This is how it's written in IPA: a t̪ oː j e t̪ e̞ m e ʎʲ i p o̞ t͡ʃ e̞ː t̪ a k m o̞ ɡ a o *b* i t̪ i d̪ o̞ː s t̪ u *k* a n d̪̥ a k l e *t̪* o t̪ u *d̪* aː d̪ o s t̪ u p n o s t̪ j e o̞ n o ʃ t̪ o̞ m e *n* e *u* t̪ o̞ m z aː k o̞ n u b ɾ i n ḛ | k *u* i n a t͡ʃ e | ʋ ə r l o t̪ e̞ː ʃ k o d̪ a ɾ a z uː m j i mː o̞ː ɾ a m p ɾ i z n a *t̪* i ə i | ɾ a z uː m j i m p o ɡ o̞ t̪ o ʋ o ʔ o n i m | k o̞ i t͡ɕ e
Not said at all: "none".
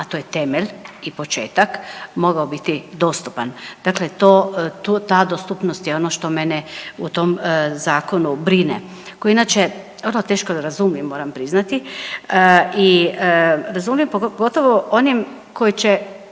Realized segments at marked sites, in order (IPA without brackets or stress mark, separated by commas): b, p, t̪, t̪, n, u, o, t̪